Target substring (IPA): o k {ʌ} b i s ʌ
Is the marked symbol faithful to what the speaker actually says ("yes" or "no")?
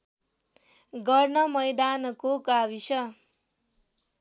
no